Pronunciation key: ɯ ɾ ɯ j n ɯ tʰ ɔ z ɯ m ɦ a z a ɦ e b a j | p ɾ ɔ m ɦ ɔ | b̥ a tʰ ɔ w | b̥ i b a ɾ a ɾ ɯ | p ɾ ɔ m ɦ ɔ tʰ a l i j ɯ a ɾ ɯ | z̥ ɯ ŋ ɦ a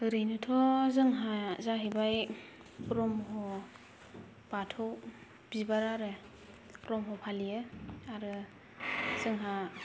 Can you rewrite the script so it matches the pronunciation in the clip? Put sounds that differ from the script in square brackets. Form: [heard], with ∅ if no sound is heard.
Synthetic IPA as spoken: ɯ ɾ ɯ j n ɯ tʰ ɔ z ɯ [ŋ] ɦ a z a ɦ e b a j | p ɾ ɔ m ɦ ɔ | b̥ a tʰ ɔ w | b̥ i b a ɾ a ɾ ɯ | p ɾ ɔ m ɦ ɔ [pʰ] a l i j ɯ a ɾ ɯ | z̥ ɯ ŋ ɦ a